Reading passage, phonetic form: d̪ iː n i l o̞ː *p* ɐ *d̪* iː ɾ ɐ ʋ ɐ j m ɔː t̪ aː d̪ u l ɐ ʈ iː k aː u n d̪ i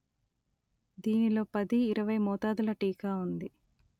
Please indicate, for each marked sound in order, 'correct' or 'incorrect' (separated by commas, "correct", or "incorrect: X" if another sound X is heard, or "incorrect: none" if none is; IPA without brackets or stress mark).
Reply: correct, correct